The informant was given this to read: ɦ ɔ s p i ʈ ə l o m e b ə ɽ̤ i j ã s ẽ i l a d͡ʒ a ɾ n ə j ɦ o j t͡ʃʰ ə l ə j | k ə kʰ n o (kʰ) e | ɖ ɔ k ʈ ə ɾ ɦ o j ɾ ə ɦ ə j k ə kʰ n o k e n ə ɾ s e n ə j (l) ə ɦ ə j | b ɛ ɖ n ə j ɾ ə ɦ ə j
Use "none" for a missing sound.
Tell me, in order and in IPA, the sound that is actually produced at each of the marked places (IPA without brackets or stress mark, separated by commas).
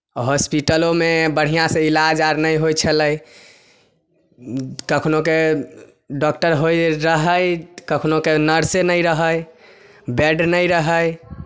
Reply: k, ɾ